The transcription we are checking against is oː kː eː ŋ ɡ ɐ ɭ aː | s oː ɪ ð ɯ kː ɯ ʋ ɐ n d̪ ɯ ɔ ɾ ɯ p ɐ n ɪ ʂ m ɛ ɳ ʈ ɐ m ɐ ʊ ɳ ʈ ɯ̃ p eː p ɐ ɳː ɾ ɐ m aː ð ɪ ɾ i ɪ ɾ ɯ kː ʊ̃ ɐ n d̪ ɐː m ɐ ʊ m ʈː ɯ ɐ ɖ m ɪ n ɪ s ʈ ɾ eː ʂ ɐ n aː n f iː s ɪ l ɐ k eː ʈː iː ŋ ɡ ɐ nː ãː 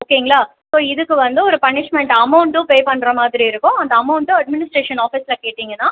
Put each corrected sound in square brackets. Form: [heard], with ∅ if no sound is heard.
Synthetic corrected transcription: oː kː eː ŋ ɡ ɐ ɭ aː | s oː ɪ ð ɯ kː ɯ ʋ ɐ n d̪ ɯ ɔ ɾ ɯ p ɐ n ɪ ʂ m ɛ ɳ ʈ ɐ m ɐ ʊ ɳ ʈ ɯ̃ p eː p ɐ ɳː ɾ ɐ m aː ð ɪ ɾ i ɪ ɾ ɯ kː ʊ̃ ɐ n d̪ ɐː m ɐ ʊ [ɳ] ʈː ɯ ɐ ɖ m ɪ n ɪ s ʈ ɾ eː ʂ ɐ n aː [∅] f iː s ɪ l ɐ k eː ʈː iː ŋ ɡ ɐ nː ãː

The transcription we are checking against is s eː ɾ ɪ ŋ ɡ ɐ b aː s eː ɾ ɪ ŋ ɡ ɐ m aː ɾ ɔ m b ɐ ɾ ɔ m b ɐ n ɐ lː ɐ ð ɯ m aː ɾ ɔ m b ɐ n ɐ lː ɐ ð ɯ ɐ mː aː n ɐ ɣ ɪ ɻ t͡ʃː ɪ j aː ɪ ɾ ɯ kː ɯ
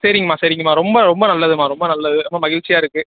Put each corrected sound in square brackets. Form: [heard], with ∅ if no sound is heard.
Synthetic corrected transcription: s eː ɾ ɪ ŋ ɡ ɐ [m] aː s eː ɾ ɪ ŋ ɡ ɐ m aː ɾ ɔ m b ɐ ɾ ɔ m b ɐ n ɐ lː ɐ ð ɯ m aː ɾ ɔ m b ɐ n ɐ lː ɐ ð ɯ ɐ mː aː [m] ɐ ɣ ɪ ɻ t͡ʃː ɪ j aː ɪ ɾ ɯ kː ɯ

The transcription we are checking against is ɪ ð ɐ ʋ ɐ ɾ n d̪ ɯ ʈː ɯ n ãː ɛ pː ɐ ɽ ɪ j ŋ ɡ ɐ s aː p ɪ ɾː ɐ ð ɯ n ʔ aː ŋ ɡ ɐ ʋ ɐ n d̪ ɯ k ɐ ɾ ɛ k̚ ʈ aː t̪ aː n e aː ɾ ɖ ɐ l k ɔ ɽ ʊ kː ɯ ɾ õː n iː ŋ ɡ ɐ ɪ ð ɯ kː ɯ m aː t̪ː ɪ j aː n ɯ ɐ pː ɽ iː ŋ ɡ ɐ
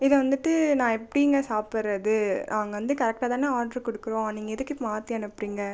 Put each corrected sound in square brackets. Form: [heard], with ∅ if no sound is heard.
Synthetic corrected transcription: ɪ ð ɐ ʋ ɐ [∅] n d̪ ɯ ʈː ɯ n ãː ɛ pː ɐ ɽ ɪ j ŋ ɡ ɐ s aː p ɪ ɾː ɐ ð ɯ n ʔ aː ŋ ɡ ɐ ʋ ɐ n d̪ ɯ k ɐ ɾ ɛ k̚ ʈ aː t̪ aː n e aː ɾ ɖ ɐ [ɾ] k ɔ ɽ [ɯ] kː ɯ ɾ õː n iː ŋ ɡ ɐ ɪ ð ɯ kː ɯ m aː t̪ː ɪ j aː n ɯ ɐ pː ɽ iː ŋ ɡ ɐ

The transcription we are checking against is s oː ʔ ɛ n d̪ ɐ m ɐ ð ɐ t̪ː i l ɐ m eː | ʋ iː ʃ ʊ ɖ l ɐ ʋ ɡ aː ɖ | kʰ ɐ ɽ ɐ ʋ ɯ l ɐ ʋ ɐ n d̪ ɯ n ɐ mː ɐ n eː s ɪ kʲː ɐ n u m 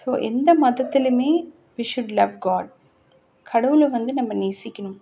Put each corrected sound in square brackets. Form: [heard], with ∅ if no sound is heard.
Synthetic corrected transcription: s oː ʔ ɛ n d̪ ɐ m ɐ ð ɐ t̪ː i l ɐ m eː | ʋ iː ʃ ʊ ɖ l ɐ ʋ ɡ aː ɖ | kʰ ɐ ɽ ɐ ʋ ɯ l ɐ ʋ ɐ n d̪ ɯ n ɐ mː ɐ n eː s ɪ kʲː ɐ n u m

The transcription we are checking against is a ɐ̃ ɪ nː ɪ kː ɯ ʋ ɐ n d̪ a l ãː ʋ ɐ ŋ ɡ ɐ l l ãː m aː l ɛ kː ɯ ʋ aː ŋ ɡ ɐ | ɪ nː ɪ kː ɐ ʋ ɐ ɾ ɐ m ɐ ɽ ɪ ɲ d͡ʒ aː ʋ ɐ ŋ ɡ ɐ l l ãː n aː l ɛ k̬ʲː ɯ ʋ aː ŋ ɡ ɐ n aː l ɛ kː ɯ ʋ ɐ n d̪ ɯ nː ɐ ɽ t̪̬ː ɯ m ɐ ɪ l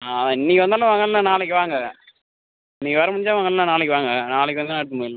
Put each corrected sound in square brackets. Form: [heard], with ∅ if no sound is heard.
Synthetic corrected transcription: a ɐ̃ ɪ nː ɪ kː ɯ ʋ ɐ n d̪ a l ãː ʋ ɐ ŋ ɡ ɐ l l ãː [n] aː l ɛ kː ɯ ʋ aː ŋ ɡ ɐ | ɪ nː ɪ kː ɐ ʋ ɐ ɾ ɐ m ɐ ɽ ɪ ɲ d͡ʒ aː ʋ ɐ ŋ ɡ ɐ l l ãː n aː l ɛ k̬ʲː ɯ ʋ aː ŋ ɡ ɐ n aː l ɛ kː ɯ ʋ ɐ n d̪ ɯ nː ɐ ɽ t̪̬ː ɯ m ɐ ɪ l

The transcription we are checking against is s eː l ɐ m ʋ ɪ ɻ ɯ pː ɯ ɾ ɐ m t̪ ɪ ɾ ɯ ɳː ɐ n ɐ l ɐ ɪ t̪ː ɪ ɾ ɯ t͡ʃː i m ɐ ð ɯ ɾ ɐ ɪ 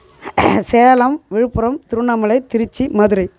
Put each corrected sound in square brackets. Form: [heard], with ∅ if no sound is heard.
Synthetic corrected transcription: s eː l ɐ m ʋ ɪ ɻ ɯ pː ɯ ɾ ɐ m t̪ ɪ ɾ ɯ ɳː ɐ [m] ɐ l ɐ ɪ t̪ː ɪ ɾ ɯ t͡ʃː i m ɐ ð ɯ ɾ ɐ ɪ

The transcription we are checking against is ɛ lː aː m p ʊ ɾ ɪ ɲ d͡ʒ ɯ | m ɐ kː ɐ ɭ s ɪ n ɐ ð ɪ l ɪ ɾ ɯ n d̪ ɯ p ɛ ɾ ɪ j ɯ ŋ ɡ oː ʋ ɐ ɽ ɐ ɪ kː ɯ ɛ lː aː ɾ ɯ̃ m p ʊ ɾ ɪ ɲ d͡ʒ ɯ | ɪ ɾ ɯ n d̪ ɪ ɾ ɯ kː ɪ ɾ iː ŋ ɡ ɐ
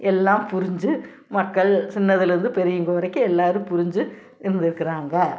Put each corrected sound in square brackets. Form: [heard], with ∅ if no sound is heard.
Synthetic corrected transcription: ɛ lː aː m p ʊ ɾ ɪ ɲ d͡ʒ ɯ | m ɐ kː ɐ ɭ s ɪ [nː] ɐ ð ɪ l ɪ ɾ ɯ n d̪ ɯ p ɛ ɾ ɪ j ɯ ŋ ɡ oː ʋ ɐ [ɾ] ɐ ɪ kː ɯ ɛ lː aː ɾ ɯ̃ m p ʊ ɾ ɪ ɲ d͡ʒ ɯ | ɪ ɾ ɯ n d̪ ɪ ɾ ɯ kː ɪ ɾ [aː] ŋ ɡ ɐ

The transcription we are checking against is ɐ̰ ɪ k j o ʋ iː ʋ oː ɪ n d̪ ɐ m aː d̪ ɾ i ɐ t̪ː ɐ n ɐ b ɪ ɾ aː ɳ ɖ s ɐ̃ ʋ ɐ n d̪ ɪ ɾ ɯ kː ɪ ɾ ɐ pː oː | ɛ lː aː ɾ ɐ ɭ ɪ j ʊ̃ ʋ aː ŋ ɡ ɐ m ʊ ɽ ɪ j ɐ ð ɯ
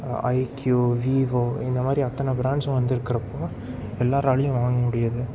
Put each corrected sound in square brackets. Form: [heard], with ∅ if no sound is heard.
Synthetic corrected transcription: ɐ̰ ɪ k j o ʋ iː ʋ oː ɪ n d̪ ɐ m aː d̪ ɾ i ɐ t̪ː ɐ n ɐ b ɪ ɾ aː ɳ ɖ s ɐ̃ ʋ ɐ n d̪ ɪ ɾ ɯ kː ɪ ɾ ɐ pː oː | ɛ lː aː ɾ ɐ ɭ ɪ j ʊ̃ ʋ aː ŋ ɡ ɐ m ʊ ɽ ɪ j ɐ ð ɯ

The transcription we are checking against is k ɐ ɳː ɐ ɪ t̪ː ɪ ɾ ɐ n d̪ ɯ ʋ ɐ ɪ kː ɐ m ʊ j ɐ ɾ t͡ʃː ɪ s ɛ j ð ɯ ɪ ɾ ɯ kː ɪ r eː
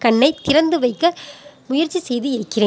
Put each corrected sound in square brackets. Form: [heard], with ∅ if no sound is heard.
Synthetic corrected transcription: k ɐ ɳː ɐ ɪ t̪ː ɪ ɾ ɐ n d̪ ɯ ʋ ɐ ɪ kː ɐ m ʊ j ɐ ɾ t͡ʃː [i] s ɛ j ð ɯ ɪ ɾ ɯ kː ɪ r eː

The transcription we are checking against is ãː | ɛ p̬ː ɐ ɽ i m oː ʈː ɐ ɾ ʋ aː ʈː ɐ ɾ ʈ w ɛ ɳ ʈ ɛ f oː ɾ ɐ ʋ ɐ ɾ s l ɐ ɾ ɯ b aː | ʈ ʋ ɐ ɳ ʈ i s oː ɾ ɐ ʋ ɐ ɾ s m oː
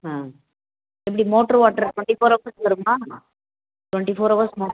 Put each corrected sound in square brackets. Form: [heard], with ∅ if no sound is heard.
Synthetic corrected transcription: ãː | ɛ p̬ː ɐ ɽ i m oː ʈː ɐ ɾ ʋ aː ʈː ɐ ɾ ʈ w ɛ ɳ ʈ [i] f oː ɾ ɐ ʋ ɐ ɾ s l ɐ ɾ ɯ [m] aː | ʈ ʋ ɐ ɳ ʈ i [f] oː ɾ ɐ ʋ ɐ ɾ s m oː

